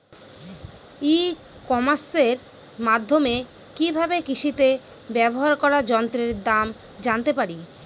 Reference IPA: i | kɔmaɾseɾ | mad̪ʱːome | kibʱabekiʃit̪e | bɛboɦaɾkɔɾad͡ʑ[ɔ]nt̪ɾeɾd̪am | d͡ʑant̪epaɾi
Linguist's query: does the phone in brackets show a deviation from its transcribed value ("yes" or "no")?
no